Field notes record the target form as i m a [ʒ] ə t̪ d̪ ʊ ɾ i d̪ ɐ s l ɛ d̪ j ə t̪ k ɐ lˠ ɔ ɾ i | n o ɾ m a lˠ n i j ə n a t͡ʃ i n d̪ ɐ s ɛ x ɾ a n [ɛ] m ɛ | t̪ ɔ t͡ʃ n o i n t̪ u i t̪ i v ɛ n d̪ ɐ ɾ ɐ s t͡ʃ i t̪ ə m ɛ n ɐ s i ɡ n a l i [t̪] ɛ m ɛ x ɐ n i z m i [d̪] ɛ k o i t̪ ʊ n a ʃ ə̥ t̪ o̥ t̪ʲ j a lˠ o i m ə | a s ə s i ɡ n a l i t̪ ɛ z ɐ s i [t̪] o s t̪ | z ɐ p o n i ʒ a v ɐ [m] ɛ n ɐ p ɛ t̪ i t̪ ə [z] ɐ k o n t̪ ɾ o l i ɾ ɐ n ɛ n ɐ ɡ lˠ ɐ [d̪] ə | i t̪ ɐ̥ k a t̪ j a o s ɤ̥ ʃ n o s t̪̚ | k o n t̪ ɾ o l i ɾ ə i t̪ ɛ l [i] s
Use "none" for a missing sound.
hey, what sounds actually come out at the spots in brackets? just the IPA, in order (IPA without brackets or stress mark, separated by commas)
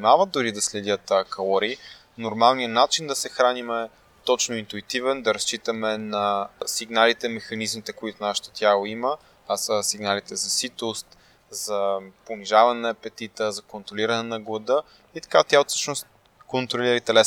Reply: v, i, t̪, t̪, t̪, n, z, d̪, ɛ